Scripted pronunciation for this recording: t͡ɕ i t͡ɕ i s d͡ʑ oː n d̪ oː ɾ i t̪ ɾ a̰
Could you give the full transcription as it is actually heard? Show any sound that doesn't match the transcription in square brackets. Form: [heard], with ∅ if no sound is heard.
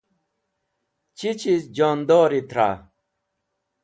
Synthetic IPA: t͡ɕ i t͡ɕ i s d͡ʑ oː n d̪ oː ɾ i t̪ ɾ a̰